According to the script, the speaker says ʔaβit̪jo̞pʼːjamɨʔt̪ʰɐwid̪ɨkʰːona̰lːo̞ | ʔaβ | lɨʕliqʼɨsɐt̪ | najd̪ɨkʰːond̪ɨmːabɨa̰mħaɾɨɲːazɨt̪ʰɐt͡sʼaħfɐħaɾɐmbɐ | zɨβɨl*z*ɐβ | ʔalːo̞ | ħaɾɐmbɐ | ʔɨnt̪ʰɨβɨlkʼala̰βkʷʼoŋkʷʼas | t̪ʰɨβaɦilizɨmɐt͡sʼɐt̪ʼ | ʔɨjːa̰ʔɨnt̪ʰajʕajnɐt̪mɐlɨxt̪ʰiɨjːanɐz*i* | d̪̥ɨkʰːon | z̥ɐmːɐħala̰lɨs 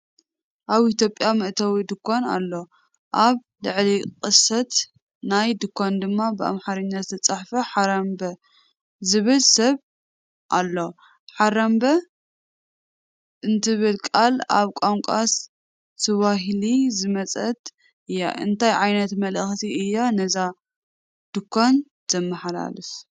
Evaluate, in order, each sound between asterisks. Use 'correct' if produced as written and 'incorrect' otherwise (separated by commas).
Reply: incorrect, incorrect